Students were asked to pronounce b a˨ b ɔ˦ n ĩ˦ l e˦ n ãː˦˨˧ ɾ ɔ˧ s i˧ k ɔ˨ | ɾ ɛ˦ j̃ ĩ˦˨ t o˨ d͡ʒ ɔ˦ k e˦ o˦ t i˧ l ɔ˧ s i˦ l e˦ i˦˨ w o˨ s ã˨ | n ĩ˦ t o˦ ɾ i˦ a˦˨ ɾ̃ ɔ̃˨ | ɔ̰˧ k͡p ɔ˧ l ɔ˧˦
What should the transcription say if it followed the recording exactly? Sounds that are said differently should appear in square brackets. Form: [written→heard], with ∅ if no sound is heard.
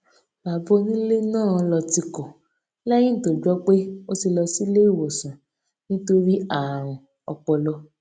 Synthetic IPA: b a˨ b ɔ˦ n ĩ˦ l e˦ n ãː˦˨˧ [ɾ→l] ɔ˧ [s→t] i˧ k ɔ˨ | [ɾ→l] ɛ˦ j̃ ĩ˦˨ t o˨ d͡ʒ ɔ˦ [k→k͡p] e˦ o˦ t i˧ l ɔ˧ s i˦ l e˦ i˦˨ w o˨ s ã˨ | n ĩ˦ t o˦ ɾ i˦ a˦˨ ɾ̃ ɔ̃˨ | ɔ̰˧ k͡p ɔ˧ l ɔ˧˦